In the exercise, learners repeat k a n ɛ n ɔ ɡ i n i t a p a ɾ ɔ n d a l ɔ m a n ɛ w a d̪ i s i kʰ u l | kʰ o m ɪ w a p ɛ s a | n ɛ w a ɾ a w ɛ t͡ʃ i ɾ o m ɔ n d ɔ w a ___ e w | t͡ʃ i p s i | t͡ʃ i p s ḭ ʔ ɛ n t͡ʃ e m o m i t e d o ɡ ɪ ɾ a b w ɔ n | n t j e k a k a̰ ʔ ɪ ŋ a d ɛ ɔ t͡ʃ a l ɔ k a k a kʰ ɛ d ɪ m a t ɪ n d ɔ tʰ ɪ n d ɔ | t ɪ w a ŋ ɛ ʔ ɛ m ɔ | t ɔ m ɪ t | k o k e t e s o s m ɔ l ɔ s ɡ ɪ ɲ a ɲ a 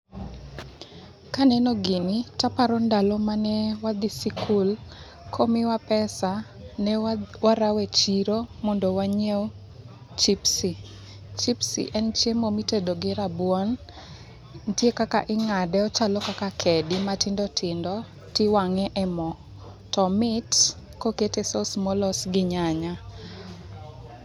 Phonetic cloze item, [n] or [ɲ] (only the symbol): ɲ